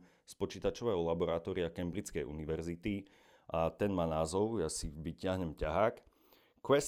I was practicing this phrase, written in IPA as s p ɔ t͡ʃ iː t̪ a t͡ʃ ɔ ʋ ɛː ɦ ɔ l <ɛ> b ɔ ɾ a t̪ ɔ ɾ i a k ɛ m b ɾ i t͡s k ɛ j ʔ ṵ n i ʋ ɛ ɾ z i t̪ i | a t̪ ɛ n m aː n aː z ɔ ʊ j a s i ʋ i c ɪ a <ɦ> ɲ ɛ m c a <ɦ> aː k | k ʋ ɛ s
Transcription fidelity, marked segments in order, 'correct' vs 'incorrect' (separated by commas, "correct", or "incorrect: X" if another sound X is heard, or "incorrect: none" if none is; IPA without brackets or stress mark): incorrect: a, correct, correct